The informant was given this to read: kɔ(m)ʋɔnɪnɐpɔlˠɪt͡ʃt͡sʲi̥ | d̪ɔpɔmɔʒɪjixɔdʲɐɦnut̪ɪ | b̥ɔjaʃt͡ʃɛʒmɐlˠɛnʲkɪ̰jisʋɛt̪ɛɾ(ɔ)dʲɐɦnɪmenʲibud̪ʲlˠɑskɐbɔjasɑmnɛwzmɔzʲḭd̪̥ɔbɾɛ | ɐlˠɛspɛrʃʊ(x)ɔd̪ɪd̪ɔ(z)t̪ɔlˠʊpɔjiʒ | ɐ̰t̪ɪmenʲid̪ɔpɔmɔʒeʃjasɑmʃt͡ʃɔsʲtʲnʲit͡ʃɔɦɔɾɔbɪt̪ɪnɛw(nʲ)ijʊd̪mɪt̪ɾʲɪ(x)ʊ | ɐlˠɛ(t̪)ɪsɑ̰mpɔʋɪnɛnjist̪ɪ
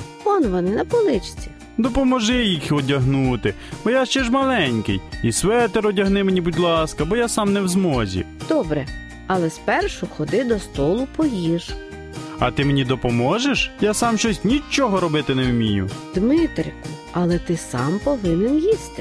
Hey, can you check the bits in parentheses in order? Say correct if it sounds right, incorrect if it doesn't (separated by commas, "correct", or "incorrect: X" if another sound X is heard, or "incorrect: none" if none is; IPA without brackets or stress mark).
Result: incorrect: n, correct, correct, incorrect: s, incorrect: mʲ, incorrect: k, correct